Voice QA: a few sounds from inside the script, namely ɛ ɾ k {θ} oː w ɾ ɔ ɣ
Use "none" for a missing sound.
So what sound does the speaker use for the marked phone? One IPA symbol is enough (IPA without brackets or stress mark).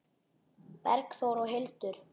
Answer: θ